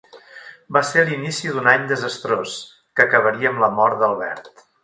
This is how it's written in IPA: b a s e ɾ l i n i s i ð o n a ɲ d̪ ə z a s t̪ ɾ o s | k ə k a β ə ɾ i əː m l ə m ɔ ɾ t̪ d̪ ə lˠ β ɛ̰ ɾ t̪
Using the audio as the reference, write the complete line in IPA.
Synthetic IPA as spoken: b a s e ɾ l i n i s i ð u n a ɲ d̪ ə z ə s t̪ ɾ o s | k ə k ə β ə ɾ i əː m l ə m ɔ ɾ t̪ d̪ ə lˠ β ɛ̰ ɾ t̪